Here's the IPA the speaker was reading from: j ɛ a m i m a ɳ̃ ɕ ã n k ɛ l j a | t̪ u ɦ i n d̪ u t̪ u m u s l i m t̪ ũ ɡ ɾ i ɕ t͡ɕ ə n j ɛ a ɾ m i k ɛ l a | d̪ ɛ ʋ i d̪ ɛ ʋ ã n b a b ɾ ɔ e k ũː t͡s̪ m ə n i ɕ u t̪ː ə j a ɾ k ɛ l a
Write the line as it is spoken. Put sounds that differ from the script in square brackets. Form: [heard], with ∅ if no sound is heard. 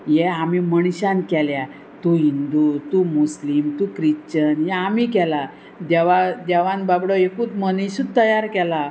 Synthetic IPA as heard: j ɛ a m i m [ə] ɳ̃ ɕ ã n k ɛ l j a | t̪ u ɦ i n d̪ u t̪ u m u s l i m t̪ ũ [k] ɾ i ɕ t͡ɕ ə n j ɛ a [∅] m i k ɛ l a | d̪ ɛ ʋ [a] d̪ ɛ ʋ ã n b a b [ɽ] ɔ e k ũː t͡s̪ m ə n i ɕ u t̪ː ə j a ɾ k ɛ l a